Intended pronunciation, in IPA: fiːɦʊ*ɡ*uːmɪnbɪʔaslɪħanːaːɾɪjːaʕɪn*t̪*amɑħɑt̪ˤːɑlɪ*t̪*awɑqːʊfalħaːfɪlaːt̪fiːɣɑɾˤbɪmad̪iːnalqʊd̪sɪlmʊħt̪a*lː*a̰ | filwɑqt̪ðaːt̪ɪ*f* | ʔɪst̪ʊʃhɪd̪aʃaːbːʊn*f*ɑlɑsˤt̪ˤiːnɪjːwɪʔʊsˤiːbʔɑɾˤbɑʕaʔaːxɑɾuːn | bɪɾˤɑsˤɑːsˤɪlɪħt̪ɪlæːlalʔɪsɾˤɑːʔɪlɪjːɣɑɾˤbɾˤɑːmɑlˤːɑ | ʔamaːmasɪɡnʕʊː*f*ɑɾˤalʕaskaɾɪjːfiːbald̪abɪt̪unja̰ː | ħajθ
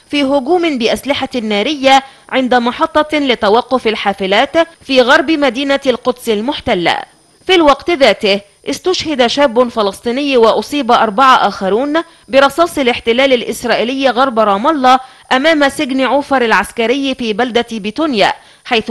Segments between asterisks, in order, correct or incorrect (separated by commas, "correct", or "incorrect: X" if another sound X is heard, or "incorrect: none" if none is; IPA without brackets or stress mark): correct, incorrect: d̪, correct, correct, incorrect: h, correct, correct